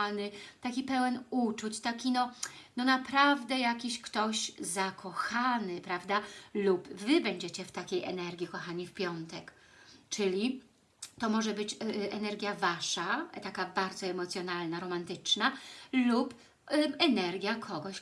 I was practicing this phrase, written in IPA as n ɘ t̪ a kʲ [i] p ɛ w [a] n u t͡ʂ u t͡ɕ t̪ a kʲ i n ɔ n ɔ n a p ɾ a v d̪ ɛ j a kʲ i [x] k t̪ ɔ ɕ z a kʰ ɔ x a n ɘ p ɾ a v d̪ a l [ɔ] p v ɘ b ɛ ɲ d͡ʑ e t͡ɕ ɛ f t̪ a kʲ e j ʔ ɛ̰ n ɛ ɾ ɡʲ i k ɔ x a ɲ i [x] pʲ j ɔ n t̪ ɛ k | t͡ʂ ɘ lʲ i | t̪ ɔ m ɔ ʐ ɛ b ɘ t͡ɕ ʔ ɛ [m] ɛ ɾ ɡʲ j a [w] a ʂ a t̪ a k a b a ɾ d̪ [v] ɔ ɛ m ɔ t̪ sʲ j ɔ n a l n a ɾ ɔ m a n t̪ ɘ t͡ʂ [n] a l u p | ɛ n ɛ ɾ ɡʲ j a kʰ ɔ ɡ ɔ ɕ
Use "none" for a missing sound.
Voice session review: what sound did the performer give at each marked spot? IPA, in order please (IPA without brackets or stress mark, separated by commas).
i, ɛ, ɕ, u, f, n, v, z, n